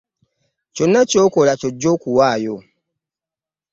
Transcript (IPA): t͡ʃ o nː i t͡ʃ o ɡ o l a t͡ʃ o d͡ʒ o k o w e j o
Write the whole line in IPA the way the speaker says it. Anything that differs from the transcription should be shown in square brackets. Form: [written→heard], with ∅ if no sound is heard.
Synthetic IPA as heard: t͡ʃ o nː [i→a] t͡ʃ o [ɡ→k] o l a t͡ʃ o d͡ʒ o k [o→u] w [e→a] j o